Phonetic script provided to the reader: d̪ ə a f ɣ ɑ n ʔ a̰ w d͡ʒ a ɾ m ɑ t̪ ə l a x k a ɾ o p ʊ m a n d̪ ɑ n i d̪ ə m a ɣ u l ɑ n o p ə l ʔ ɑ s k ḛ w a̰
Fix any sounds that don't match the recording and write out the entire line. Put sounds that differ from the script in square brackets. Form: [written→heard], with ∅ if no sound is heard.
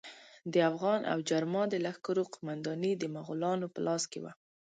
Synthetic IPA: d̪ ə a f ɣ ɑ n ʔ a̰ w d͡ʒ a ɾ m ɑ [t̪→d̪] ə l a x k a ɾ o [p→q] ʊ m a n d̪ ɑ n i d̪ ə m a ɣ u l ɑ n o p ə l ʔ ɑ s k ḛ w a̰